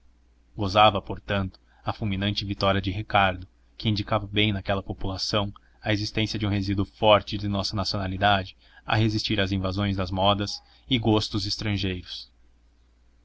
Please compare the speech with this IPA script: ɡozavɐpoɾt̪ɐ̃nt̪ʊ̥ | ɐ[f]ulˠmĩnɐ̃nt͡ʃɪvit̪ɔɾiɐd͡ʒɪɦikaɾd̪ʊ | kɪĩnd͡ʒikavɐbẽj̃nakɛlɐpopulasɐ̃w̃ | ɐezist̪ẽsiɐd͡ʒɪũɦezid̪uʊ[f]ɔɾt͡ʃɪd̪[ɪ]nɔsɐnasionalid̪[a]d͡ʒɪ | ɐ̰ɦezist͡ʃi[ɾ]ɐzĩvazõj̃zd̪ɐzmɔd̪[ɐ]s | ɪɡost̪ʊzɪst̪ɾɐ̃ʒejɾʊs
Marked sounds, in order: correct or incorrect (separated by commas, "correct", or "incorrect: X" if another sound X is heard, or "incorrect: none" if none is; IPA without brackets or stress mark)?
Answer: correct, correct, correct, correct, correct, correct